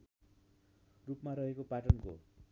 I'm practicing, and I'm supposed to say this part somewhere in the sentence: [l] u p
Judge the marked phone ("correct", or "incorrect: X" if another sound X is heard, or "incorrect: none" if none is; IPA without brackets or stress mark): incorrect: r